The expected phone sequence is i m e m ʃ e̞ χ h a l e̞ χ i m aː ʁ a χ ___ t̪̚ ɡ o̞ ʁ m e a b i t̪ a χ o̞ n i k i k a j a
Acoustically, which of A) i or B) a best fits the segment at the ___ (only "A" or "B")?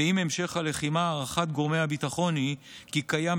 B